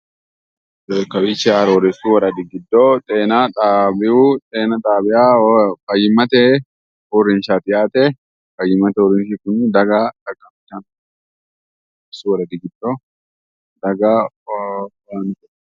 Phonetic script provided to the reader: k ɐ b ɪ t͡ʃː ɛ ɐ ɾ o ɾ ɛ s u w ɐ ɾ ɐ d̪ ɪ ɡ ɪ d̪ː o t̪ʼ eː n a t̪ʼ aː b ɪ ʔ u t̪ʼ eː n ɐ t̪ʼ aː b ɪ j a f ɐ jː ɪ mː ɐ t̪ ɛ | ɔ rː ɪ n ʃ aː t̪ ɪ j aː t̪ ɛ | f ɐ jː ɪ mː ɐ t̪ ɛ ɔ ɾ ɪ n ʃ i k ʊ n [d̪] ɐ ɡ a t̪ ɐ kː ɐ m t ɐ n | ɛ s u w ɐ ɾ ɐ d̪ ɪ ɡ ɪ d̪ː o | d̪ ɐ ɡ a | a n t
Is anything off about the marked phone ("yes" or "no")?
no